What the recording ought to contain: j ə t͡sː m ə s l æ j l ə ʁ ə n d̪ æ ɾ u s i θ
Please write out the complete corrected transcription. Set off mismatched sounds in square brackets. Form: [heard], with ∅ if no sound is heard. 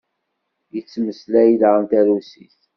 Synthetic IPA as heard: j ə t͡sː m ə s l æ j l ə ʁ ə n [t̪] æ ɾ u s i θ